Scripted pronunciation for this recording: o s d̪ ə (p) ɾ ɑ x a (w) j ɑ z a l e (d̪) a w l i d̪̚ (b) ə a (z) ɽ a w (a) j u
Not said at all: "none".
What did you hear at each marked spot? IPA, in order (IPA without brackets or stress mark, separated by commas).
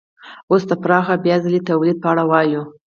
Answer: p, b, t̪, p, none, ɑ